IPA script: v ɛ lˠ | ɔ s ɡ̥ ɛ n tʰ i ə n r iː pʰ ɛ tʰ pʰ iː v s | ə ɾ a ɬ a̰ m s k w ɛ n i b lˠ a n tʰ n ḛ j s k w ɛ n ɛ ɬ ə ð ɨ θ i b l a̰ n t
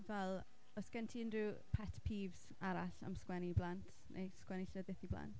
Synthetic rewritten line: v ɛ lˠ | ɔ s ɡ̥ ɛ n tʰ i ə n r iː pʰ ɛ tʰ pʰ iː v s | a ɾ a ɬ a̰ m s k w ɛ n i b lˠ a n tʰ n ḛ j s k w ɛ n i ɬ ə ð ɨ θ i b l a̰ n t